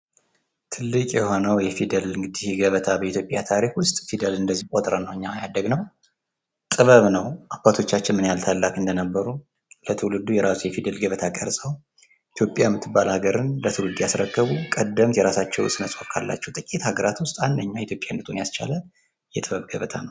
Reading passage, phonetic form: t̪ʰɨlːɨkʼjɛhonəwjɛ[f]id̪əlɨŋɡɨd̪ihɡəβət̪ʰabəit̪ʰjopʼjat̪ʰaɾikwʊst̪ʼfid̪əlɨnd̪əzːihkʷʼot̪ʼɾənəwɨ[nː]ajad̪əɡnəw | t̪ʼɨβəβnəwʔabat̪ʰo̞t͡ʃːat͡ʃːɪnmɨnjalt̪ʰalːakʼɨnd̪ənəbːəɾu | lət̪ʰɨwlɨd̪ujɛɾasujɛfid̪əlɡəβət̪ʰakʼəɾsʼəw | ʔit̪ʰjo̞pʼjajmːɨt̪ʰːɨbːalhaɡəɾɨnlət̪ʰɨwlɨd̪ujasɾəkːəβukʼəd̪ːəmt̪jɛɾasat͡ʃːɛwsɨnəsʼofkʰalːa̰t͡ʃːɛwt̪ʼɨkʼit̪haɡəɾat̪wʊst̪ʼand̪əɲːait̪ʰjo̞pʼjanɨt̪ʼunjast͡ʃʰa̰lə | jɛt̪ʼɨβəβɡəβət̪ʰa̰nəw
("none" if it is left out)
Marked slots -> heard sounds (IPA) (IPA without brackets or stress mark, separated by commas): f, ɲː